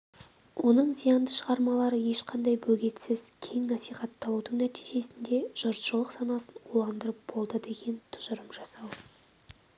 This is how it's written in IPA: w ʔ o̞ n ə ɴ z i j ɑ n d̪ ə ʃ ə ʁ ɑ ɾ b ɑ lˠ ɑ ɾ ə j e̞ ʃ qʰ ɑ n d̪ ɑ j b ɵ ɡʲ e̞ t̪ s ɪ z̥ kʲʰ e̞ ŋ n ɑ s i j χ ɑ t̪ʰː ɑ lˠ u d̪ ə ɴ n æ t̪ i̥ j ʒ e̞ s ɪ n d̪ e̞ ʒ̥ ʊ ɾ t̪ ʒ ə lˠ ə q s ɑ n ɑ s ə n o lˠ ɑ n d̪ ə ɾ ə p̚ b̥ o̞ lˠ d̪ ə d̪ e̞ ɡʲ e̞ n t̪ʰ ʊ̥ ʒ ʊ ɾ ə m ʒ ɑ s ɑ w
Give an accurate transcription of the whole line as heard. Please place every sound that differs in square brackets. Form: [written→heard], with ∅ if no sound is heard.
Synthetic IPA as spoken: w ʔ o̞ n ə ɴ z i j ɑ n d̪ ə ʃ ə ʁ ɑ ɾ [b→m] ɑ lˠ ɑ ɾ ə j e̞ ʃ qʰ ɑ n d̪ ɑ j b ɵ ɡʲ e̞ t̪ s ɪ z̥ kʲʰ e̞ ŋ n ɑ s i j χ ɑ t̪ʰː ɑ lˠ u d̪ ə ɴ n æ t̪ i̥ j ʒ e̞ s ɪ n d̪ e̞ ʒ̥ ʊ ɾ t̪ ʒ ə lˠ ə q s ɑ n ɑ s ə n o lˠ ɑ n d̪ ə ɾ ə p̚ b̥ o̞ lˠ d̪ ə d̪ e̞ ɡʲ e̞ n t̪ʰ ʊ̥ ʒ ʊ ɾ ə m ʒ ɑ s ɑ w

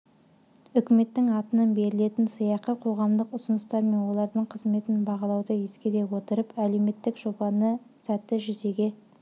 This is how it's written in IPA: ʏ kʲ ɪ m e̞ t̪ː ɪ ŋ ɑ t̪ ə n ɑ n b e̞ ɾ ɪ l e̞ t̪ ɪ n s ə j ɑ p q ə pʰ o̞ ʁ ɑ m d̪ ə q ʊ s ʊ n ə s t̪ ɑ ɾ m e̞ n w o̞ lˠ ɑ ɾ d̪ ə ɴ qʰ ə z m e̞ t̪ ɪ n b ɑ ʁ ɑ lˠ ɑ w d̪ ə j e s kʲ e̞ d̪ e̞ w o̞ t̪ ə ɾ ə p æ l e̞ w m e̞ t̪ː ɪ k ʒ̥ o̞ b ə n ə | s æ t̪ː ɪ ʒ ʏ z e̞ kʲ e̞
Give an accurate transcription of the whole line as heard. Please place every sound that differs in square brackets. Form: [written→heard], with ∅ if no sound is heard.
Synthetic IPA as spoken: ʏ kʲ ɪ m e̞ t̪ː ɪ ŋ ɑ t̪ ə n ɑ n b e̞ ɾ ɪ l e̞ t̪ ɪ n s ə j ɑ [p→∅] q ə [pʰ→qʰ] o̞ ʁ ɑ m d̪ ə q ʊ s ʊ n ə s t̪ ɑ ɾ m e̞ n w o̞ lˠ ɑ ɾ d̪ ə ɴ qʰ ə z m e̞ t̪ ɪ n b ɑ ʁ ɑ lˠ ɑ w d̪ ə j e s kʲ e̞ d̪ e̞ w o̞ t̪ ə ɾ ə p æ l e̞ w m e̞ t̪ː ɪ k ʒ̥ o̞ b [ə→ɑ] n ə | s æ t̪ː ɪ ʒ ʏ z e̞ [kʲ→ɡʲ] e̞

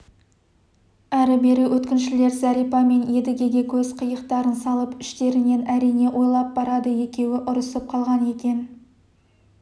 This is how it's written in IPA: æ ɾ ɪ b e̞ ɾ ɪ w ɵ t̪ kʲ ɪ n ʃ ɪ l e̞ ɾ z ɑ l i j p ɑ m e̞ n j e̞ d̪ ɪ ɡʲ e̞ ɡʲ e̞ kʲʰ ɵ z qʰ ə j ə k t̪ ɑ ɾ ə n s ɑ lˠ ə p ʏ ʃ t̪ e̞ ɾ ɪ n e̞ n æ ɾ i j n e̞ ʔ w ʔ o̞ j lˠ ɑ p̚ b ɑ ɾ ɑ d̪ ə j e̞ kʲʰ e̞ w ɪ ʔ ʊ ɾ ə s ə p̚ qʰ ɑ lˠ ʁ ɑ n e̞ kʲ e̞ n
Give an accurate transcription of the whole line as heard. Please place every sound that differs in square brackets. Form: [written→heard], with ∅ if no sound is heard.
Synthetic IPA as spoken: æ ɾ ɪ b e̞ ɾ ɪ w ɵ t̪ kʲ ɪ n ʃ ɪ l e̞ ɾ z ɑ [l→ɾ] i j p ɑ m e̞ n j e̞ d̪ ɪ ɡʲ e̞ ɡʲ e̞ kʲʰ ɵ z qʰ ə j ə [k→q] t̪ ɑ ɾ ə n s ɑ lˠ ə p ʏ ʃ t̪ e̞ ɾ ɪ n e̞ n æ ɾ i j n e̞ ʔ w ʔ o̞ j lˠ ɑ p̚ b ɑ ɾ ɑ d̪ ə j e̞ [kʲʰ→kʲ] e̞ w ɪ ʔ ʊ ɾ ə s ə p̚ qʰ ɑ lˠ ʁ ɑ n e̞ kʲ e̞ n

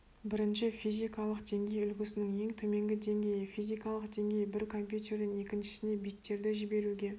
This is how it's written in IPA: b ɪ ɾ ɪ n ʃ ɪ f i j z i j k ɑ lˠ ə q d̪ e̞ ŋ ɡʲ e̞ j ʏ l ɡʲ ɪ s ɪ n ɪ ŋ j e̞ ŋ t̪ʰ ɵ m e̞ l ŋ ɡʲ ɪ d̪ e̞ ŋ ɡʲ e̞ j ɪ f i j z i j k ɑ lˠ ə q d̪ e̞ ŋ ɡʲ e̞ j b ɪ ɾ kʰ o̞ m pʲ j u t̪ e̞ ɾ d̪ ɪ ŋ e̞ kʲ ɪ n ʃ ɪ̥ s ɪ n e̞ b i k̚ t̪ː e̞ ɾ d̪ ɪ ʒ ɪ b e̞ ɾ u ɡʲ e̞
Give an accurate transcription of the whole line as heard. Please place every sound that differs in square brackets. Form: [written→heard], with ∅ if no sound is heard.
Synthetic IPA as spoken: b ɪ ɾ ɪ n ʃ ɪ f i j z i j k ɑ lˠ ə q d̪ e̞ ŋ ɡʲ e̞ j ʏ l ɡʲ ɪ s ɪ n ɪ ŋ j e̞ ŋ t̪ʰ ɵ m e̞ [l→∅] ŋ ɡʲ ɪ d̪ e̞ ŋ ɡʲ e̞ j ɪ f i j z i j k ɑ lˠ ə q d̪ e̞ ŋ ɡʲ e̞ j b ɪ ɾ kʰ o̞ m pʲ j u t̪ e̞ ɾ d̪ ɪ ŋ e̞ kʲ ɪ n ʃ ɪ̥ s ɪ n e̞ b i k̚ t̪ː e̞ ɾ d̪ ɪ ʒ ɪ b e̞ ɾ u ɡʲ e̞

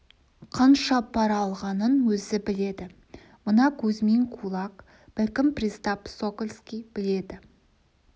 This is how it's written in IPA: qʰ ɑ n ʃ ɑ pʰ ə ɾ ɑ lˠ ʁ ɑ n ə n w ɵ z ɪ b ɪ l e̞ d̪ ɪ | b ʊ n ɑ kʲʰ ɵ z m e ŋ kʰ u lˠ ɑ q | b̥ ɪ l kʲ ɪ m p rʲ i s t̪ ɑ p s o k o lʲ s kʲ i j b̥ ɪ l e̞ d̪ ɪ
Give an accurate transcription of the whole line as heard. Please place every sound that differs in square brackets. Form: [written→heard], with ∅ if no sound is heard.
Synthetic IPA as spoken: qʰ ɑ n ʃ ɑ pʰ [ə→ɑ] ɾ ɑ lˠ ʁ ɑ n ə n w ɵ z ɪ b ɪ l e̞ d̪ ɪ | [b→m] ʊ n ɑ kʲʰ ɵ z m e ŋ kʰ u lˠ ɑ q | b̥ ɪ l kʲ ɪ m p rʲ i s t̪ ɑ p s o k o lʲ s kʲ i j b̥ ɪ l e̞ d̪ ɪ

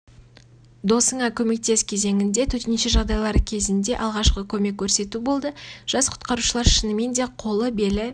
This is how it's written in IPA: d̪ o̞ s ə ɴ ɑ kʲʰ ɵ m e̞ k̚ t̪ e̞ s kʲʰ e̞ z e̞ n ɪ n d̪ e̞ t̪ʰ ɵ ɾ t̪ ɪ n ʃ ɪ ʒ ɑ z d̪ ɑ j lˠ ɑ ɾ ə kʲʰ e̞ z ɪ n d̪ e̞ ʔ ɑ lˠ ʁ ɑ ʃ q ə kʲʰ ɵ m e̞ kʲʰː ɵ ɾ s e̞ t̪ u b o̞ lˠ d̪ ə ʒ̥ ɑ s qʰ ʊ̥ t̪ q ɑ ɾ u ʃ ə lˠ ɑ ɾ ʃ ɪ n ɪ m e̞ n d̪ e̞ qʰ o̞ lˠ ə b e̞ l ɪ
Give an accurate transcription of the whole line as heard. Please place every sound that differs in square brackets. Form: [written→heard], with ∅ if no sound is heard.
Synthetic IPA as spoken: d̪ o̞ s ə ɴ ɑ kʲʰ ɵ m e̞ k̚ t̪ e̞ s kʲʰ e̞ z e̞ [n→ŋ] ɪ n d̪ e̞ t̪ʰ ɵ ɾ t̪ ɪ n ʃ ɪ ʒ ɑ [z→ʁ] d̪ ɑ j lˠ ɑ ɾ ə kʲʰ e̞ z ɪ n d̪ e̞ ʔ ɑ lˠ ʁ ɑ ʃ q ə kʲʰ ɵ m e̞ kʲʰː ɵ ɾ s e̞ t̪ u b o̞ lˠ d̪ ə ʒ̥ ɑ s qʰ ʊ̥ t̪ q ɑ ɾ u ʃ ə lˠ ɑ ɾ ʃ ɪ n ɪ m e̞ n d̪ e̞ qʰ o̞ lˠ ə b e̞ l ɪ

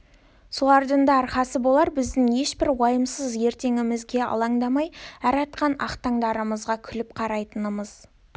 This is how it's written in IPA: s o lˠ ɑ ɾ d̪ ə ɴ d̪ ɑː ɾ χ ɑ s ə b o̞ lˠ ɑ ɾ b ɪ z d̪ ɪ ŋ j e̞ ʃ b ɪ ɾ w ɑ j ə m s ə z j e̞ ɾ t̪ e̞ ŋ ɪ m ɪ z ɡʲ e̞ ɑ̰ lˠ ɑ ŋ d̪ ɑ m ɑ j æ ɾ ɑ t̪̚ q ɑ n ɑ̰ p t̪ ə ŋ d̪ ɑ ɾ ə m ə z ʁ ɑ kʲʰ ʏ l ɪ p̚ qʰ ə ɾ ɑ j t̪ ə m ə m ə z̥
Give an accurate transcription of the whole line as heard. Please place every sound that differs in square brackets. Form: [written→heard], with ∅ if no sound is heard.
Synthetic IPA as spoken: s o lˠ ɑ ɾ d̪ ə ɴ d̪ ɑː ɾ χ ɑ s ə b o̞ lˠ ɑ ɾ b ɪ z d̪ ɪ ŋ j e̞ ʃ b ɪ ɾ w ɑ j ə m s ə z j e̞ ɾ t̪ e̞ ŋ ɪ m ɪ z ɡʲ e̞ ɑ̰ lˠ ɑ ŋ d̪ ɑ m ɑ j æ ɾ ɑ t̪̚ q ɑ n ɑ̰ [p→q] t̪ [ə→ɑ] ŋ d̪ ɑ ɾ ə m ə z ʁ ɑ kʲʰ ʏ l ɪ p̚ qʰ [ə→ɑ] ɾ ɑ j t̪ ə [m→n] ə m ə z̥

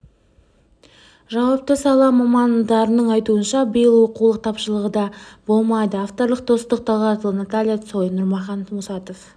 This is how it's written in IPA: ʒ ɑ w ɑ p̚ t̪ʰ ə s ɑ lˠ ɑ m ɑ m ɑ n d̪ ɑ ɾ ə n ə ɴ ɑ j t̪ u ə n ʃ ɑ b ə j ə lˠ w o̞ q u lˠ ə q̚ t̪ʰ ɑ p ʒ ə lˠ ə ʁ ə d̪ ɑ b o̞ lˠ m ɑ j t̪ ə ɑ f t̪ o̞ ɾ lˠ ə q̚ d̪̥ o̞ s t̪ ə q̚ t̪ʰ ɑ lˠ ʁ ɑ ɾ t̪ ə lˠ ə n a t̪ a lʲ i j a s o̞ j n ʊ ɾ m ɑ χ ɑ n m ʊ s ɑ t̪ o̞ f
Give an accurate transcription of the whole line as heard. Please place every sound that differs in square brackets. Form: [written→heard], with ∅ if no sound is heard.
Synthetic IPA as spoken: ʒ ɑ w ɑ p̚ [t̪ʰ→t̪] ə s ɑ lˠ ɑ m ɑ m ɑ n d̪ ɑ ɾ ə n ə ɴ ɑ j t̪ u ə n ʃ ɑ b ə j ə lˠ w o̞ q u lˠ ə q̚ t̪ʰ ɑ p [ʒ→ʃ] ə lˠ ə ʁ ə d̪ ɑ b o̞ lˠ m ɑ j [t̪→d̪] ə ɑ f t̪ o̞ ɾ lˠ ə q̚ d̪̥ o̞ s t̪ ə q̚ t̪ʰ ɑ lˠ ʁ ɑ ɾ t̪ ə lˠ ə n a t̪ a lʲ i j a s o̞ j n ʊ ɾ m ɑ χ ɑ n m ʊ s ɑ t̪ o̞ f

